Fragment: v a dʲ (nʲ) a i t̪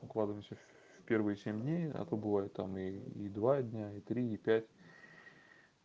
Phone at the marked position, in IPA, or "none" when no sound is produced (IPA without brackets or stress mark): nʲ